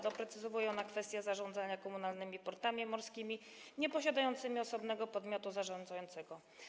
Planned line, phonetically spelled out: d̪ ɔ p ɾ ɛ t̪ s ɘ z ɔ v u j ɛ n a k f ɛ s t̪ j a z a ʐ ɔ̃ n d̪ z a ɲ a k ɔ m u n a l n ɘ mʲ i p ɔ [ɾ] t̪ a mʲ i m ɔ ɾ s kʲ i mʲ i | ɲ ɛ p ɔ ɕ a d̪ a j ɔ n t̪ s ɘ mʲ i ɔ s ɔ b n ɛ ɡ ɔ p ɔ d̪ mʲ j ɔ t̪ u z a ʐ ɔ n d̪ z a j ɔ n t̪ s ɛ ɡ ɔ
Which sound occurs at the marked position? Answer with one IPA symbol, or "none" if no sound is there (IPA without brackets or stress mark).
ɾ